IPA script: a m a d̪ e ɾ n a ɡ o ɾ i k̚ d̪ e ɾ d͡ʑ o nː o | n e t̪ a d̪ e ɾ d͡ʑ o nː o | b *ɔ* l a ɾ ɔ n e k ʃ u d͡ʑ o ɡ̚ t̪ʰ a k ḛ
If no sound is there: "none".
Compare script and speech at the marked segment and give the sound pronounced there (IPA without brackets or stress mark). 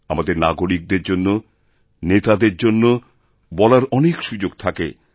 ɔ